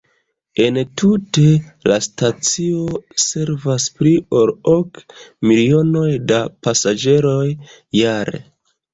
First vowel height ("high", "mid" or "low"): mid